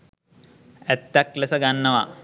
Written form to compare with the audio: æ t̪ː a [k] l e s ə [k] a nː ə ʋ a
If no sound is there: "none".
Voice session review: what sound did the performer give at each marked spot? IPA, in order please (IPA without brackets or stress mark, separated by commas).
k, ɡ